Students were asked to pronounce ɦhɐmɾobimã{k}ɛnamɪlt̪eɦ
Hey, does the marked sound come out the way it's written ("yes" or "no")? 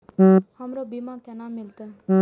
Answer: yes